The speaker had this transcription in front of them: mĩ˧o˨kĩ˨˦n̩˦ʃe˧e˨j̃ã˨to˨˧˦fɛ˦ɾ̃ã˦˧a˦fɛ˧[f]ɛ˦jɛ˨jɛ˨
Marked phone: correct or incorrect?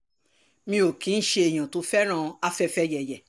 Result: correct